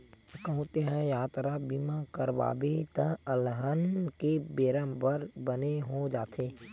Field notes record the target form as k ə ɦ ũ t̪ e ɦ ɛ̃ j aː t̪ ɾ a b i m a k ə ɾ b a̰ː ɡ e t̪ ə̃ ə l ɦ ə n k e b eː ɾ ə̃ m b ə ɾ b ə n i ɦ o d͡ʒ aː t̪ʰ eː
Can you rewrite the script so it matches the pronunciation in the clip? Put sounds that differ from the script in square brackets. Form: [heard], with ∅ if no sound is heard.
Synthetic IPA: k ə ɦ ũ t̪ e ɦ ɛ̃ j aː t̪ ɾ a b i m a k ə ɾ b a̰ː [b] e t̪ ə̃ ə l ɦ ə n k e b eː ɾ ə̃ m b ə ɾ b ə n [e] ɦ o d͡ʒ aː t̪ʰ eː